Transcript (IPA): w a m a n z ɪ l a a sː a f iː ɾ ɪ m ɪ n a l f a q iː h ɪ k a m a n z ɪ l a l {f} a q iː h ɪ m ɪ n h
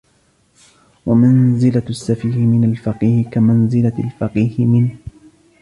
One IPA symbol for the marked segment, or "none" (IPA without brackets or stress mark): f